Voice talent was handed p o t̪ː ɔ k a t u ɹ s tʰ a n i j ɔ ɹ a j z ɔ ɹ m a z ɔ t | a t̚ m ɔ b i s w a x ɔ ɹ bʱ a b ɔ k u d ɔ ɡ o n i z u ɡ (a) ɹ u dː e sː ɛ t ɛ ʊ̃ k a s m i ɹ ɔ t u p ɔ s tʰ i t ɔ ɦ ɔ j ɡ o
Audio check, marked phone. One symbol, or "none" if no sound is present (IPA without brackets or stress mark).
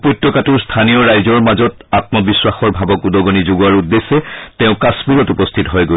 a